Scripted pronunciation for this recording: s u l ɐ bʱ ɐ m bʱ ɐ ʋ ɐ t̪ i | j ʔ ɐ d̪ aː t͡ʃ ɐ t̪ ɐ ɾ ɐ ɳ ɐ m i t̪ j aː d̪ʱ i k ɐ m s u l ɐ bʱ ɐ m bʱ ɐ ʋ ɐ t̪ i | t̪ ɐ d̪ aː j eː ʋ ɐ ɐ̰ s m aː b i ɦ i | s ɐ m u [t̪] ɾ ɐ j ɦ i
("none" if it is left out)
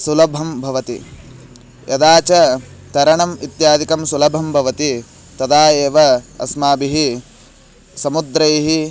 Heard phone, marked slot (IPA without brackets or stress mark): d̪